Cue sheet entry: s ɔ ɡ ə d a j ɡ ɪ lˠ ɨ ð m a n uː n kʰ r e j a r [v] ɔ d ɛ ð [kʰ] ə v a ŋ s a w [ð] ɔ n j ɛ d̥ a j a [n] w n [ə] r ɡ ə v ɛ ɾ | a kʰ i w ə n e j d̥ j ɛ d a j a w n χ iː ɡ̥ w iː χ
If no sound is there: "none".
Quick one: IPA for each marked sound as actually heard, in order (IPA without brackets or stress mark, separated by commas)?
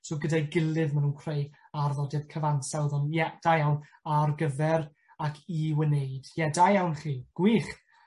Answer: ð, kʰ, ð, none, a